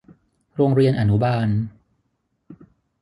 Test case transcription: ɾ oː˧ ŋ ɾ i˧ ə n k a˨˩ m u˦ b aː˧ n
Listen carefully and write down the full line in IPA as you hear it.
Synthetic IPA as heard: ɾ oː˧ ŋ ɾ i˧ ə n ʔ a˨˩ n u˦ b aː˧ n

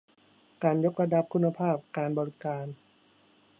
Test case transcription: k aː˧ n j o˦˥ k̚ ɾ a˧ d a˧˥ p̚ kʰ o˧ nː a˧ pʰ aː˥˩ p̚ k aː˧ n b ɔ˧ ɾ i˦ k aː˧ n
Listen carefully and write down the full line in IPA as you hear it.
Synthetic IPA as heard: k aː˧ n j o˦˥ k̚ ɾ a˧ d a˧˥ p̚ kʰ u˧ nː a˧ pʰ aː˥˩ p̚ k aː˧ n b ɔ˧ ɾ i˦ k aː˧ n

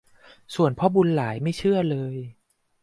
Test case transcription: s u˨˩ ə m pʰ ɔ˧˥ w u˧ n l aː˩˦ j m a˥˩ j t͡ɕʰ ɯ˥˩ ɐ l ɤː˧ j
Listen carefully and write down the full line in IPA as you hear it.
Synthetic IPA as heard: s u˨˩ ə n pʰ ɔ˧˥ b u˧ n l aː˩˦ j m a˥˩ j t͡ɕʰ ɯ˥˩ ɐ l ɤː˧ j

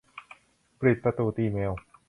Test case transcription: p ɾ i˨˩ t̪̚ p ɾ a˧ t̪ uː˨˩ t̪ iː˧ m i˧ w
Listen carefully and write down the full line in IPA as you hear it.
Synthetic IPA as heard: p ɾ i˨˩ t̪̚ p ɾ a˧ t̪ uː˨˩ t̪ iː˧ m e˧ w

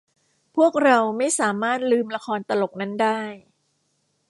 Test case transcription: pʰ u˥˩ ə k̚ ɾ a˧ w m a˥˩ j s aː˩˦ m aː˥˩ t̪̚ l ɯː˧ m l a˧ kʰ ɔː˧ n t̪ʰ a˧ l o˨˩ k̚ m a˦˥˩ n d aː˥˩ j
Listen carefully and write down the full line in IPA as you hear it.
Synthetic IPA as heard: pʰ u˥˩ ə k̚ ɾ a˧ w m a˥˩ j s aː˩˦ m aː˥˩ t̪̚ l ɯː˧ m l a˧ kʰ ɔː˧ n t̪ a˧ l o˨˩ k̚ n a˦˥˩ n d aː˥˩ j

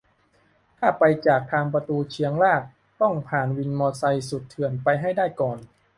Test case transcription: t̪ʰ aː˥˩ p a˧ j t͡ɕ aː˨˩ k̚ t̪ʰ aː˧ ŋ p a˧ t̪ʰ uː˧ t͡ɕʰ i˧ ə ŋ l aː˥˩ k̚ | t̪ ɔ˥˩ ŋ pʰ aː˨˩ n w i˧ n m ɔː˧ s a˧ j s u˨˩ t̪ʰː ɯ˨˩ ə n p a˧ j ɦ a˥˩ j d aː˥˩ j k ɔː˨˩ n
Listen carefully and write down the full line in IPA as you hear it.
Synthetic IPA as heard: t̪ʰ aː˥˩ p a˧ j t͡ɕ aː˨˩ k̚ t̪ʰ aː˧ ŋ p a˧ t̪ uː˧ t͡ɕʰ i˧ ə ŋ l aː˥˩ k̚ | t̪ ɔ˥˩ ŋ pʰ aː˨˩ n w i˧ n m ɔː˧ s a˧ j s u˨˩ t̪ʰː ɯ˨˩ ə n p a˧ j ɦ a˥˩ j d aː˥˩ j k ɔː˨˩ n

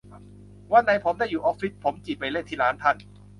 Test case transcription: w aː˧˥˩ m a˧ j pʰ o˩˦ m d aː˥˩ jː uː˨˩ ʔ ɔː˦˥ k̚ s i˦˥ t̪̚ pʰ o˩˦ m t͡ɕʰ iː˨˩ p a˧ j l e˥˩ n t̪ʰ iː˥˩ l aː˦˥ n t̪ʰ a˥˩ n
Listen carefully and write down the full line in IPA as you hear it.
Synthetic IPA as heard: w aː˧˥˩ n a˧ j pʰ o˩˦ m d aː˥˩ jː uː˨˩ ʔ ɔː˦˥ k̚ f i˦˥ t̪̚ pʰ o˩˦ m t͡ɕ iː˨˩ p a˧ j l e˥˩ n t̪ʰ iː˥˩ l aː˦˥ n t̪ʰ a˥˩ n

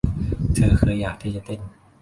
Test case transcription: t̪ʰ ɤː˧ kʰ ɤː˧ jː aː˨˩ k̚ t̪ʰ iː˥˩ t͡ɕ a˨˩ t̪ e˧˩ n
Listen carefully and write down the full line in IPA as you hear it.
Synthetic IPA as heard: t̪ʰ ɤː˧ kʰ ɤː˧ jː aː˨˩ k̚ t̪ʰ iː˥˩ t͡ɕ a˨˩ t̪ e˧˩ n

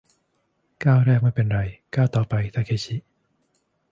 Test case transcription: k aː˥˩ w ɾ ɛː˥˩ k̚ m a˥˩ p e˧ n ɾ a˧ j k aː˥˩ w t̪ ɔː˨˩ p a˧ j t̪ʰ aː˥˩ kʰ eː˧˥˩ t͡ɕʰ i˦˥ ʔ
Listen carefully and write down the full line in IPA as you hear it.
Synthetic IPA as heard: k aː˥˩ w ɾ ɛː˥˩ k̚ m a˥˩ p e˧ n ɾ a˧ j k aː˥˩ w t̪ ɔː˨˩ p a˧ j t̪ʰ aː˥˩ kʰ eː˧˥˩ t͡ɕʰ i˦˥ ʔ

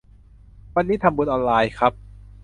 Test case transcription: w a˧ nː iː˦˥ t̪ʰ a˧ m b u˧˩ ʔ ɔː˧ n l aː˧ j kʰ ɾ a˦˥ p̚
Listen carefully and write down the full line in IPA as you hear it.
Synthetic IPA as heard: w a˧ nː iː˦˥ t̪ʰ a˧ m b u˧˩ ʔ ɔː˧ n l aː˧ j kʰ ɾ a˦˥ p̚

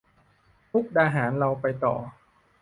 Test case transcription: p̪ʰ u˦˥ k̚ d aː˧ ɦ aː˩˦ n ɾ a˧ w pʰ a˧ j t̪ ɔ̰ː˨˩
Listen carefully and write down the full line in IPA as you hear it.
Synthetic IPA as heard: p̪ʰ u˦˥ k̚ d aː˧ ɦ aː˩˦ n ɾ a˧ w p a˧ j t̪ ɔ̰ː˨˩

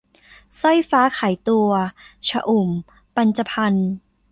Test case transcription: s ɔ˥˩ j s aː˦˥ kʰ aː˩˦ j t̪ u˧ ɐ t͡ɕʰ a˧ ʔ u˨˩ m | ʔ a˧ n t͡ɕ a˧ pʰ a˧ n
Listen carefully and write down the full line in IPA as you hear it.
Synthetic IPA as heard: s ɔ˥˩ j f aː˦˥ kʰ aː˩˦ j t̪ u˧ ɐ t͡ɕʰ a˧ ʔ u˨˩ m | p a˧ n t͡ɕ a˧ pʰ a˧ n

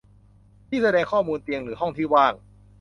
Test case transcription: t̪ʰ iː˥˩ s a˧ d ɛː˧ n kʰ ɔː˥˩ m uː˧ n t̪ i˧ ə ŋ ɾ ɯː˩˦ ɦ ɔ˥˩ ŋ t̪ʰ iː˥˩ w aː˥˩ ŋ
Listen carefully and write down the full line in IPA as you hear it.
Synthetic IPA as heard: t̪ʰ iː˥˩ s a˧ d ɛː˧ ŋ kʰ ɔː˥˩ m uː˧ n t̪ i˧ ə ŋ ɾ ɯː˩˦ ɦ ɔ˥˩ ŋ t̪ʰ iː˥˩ w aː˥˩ ŋ

